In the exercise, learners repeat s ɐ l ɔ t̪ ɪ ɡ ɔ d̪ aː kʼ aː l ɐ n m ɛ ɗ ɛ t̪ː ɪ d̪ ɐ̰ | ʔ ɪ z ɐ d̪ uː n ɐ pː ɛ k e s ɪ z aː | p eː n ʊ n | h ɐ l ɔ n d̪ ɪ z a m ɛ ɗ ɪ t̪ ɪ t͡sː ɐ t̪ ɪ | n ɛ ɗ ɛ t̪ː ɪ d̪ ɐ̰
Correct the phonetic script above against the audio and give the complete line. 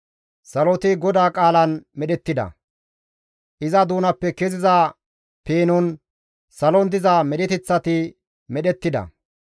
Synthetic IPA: s ɐ l ɔ t̪ ɪ ɡ ɔ d̪ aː kʼ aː l ɐ n m ɛ ɗ ɛ t̪ː ɪ d̪ ɐ̰ | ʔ ɪ z ɐ d̪ uː n ɐ pː ɛ k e z ɪ z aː | p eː n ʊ n | s ɐ l ɔ n d̪ ɪ z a m ɛ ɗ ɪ t̪ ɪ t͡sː ɐ t̪ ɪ | m ɛ ɗ ɛ t̪ː ɪ d̪ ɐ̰